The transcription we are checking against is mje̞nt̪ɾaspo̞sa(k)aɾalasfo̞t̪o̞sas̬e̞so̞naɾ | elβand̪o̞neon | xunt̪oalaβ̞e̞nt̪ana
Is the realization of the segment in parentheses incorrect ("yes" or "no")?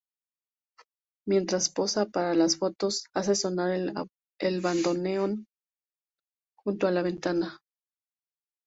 yes